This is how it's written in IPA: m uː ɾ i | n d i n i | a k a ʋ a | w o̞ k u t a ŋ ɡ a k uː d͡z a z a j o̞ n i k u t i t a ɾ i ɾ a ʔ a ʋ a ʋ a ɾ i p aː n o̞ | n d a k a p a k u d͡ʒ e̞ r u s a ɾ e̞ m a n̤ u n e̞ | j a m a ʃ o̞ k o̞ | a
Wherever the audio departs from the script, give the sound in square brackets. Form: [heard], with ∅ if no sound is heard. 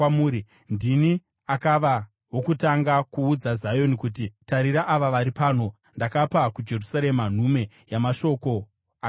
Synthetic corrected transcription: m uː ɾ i | n d i n i | a k a ʋ a | w o̞ k u t a ŋ ɡ a k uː d͡z a z a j o̞ n i k u t i t a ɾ i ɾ a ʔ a ʋ a ʋ a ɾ i p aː n o̞ | n d a k a p a k u d͡ʒ e̞ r u s a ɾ e̞ m a n̤ u [m] e̞ | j a m a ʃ o̞ k o̞ | a